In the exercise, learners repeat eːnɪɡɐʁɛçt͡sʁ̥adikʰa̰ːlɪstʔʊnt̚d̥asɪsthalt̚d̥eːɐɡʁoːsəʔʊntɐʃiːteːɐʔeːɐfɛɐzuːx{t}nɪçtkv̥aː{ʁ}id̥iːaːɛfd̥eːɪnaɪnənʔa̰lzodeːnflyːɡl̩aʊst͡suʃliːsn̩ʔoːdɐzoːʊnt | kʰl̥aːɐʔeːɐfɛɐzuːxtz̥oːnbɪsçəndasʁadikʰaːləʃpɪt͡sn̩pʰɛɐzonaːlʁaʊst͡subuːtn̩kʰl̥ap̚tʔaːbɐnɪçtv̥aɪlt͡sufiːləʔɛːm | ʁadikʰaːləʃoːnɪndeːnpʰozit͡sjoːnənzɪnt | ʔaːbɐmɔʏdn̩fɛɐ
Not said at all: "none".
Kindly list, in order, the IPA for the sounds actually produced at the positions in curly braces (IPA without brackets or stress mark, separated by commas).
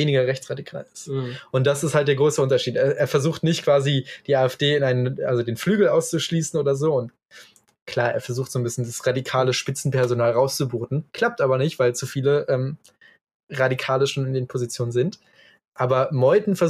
t, z